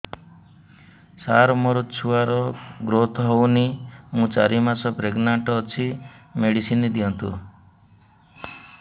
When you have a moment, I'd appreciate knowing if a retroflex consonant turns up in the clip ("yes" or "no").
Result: yes